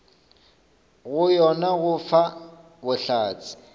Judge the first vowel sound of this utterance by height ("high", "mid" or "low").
high